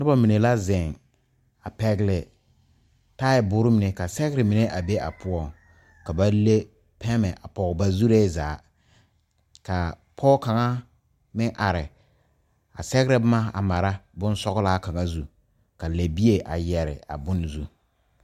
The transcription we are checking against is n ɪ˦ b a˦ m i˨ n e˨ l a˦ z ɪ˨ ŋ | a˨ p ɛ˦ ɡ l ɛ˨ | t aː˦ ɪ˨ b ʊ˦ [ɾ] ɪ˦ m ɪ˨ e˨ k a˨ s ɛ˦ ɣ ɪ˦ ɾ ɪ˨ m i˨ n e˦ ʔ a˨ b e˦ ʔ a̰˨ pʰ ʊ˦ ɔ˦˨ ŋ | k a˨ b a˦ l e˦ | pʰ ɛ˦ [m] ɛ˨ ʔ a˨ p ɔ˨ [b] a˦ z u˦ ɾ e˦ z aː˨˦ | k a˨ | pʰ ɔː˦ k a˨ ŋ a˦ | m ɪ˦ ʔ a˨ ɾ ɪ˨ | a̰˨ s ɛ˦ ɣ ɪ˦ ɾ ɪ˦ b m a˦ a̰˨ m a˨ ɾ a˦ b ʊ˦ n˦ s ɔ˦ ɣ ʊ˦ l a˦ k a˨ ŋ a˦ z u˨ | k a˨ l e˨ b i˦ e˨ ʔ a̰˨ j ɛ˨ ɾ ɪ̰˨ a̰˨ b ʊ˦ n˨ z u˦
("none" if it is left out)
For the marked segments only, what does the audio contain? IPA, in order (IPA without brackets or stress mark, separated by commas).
ɾ, m, b